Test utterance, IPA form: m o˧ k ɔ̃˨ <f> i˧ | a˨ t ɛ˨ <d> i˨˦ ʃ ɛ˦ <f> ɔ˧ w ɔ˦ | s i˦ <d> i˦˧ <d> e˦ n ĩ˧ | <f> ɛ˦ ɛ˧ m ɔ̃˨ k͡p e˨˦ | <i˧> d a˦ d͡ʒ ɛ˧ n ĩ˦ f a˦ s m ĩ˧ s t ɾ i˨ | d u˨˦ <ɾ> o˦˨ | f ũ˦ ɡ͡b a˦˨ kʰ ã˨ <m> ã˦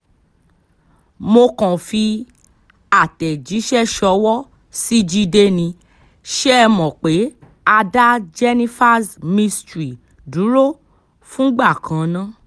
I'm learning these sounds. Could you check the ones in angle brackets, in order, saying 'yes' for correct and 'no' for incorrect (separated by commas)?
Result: yes, no, no, no, yes, no, no, yes, no